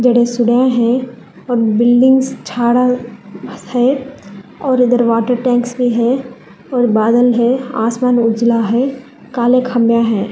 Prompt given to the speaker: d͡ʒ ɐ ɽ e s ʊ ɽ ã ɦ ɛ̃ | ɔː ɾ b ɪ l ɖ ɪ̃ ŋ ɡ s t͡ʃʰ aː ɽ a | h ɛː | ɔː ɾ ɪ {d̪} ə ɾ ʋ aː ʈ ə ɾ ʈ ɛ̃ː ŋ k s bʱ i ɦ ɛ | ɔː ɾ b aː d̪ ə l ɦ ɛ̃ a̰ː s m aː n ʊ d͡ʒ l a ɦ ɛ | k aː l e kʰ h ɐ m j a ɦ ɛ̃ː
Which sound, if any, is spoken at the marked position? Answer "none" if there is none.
d̪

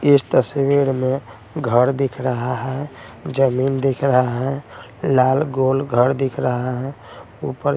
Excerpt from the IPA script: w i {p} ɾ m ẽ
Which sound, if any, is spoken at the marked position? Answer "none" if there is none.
none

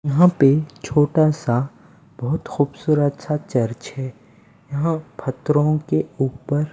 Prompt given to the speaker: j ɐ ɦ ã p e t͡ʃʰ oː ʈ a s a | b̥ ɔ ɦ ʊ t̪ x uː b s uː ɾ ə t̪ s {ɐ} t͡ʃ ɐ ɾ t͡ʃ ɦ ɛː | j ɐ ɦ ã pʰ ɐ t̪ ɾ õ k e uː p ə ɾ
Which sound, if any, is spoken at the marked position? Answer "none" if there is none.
a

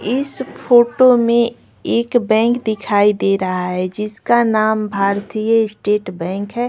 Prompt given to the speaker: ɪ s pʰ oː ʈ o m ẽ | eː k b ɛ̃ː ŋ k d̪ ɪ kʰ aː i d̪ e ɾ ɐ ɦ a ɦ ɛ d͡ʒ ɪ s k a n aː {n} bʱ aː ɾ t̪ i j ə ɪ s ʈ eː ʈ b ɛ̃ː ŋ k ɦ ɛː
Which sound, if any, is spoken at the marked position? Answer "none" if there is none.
m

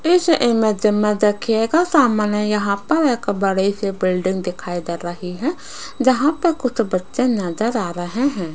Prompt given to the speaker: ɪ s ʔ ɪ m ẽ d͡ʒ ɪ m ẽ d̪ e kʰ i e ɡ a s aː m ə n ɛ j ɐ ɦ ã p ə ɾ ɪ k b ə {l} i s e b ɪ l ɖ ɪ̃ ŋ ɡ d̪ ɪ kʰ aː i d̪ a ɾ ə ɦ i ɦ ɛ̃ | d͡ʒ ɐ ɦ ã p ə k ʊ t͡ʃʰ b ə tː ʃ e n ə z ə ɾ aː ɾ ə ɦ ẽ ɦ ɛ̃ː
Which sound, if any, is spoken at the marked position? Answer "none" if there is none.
ɽ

